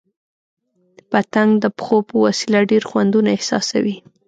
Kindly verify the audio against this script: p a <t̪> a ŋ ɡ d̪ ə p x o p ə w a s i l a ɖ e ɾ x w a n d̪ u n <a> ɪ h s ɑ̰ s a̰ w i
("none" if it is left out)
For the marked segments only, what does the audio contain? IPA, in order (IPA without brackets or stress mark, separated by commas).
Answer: t̪, a